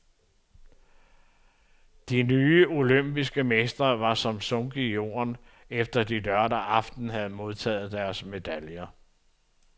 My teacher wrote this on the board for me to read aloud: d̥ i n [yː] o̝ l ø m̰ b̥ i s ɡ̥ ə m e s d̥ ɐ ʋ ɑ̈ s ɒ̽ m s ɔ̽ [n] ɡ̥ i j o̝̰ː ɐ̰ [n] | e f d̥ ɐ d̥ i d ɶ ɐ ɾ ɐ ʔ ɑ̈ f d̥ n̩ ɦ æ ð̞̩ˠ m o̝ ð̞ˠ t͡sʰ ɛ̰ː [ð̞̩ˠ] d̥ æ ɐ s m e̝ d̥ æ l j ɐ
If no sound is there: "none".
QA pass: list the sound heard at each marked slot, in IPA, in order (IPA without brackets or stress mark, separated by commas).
yː, ŋ, n, ð̞̩ˠ